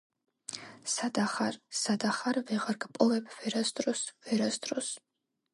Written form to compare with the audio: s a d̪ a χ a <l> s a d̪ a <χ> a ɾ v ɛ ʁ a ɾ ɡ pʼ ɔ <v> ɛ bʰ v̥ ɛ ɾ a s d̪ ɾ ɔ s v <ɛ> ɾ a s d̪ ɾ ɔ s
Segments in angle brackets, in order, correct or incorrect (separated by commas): incorrect, correct, correct, correct